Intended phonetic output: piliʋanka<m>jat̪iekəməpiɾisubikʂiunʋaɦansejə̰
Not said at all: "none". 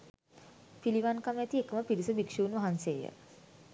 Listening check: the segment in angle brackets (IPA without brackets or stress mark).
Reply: m